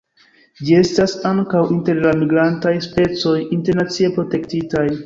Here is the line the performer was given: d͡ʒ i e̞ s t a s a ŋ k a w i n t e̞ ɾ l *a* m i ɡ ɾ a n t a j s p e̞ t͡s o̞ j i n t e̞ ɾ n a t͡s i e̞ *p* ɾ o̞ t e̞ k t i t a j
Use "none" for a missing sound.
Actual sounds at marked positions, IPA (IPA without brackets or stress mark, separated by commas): a, p